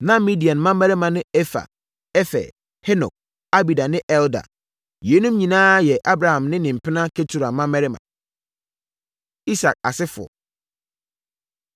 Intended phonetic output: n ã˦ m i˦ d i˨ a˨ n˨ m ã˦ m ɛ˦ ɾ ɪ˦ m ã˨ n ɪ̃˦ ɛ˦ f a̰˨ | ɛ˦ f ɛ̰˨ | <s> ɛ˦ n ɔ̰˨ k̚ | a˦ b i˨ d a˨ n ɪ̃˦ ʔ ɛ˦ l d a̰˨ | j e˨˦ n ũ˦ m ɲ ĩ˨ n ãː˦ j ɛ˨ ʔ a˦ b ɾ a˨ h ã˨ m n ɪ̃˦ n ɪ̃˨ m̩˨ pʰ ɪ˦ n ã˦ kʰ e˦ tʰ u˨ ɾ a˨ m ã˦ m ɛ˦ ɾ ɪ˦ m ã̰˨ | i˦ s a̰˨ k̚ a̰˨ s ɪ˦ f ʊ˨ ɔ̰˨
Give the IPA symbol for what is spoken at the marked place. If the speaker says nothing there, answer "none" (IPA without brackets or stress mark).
h